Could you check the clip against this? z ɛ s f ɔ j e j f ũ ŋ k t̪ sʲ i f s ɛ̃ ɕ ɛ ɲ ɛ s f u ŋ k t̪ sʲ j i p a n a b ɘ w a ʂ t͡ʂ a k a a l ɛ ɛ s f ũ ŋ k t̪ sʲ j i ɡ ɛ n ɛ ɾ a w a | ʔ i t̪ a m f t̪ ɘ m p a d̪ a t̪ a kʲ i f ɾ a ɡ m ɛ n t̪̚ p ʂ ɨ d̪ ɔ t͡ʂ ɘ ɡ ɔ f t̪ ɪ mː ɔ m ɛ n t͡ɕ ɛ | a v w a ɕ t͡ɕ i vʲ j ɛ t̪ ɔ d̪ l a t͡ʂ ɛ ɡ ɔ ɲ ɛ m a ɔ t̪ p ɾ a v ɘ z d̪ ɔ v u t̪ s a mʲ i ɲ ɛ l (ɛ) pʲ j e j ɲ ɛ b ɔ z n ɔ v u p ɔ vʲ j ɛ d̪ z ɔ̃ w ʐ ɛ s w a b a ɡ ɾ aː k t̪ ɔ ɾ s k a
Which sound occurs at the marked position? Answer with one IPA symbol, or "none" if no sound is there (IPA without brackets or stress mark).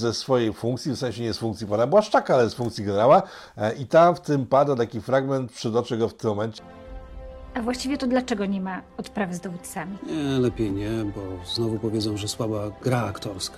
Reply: ɛ